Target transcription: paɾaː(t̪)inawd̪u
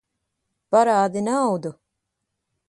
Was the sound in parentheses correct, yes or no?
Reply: no